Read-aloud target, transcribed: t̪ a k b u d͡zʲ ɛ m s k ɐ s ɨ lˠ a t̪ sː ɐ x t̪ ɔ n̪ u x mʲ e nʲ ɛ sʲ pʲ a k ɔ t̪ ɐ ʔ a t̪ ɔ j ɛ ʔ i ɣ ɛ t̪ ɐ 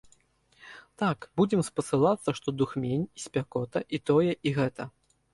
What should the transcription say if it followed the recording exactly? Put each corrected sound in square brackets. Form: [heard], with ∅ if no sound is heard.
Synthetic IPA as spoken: t̪ a k b u d͡zʲ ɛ m s [p] ɐ s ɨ lˠ a t̪ sː ɐ [ʂ] t̪ ɔ [d̪] u x mʲ e nʲ [i] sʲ pʲ a k ɔ t̪ ɐ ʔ [i] t̪ ɔ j ɛ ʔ i ɣ ɛ t̪ ɐ